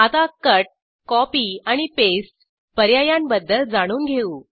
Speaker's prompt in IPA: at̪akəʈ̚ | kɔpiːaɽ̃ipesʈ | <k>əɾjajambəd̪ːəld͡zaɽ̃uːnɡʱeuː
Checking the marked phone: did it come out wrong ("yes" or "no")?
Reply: yes